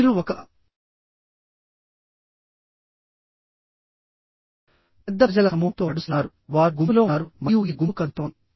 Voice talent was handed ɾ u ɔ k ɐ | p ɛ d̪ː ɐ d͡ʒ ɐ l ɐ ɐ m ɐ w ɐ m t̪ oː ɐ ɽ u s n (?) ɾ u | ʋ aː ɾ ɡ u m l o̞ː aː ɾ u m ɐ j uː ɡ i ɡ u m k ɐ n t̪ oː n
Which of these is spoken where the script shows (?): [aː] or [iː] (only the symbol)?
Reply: aː